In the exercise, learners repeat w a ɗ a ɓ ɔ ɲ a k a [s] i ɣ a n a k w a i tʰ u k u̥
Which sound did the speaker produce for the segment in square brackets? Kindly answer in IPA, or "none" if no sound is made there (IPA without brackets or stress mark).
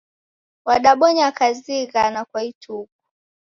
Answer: z